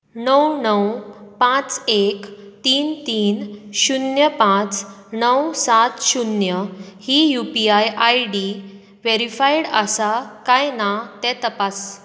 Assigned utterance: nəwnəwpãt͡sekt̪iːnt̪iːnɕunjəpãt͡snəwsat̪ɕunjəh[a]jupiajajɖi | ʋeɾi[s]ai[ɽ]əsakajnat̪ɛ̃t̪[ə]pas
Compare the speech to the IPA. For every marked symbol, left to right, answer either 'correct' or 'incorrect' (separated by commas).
incorrect, incorrect, correct, correct